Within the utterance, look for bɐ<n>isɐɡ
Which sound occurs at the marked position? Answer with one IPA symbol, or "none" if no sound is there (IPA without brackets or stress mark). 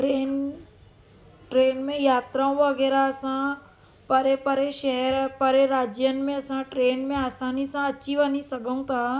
n